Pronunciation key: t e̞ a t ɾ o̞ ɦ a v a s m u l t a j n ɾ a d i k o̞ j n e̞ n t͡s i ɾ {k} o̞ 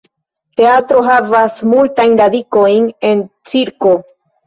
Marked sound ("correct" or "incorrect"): correct